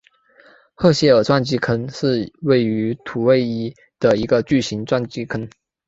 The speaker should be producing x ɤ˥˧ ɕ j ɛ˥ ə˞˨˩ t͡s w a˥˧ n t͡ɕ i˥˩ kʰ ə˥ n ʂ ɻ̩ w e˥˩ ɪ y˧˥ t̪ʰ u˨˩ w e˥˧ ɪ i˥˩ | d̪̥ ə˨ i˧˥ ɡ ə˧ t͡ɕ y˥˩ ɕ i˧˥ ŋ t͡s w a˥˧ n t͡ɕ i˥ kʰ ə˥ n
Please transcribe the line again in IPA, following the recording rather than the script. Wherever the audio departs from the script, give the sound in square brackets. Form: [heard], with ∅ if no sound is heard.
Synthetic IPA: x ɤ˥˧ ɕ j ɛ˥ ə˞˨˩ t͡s w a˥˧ n t͡ɕ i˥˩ kʰ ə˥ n ʂ ɻ̩ w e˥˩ ɪ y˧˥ t̪ʰ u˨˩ w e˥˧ ɪ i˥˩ | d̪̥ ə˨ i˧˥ ɡ ə˧ t͡ɕ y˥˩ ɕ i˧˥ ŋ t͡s w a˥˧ n t͡ɕ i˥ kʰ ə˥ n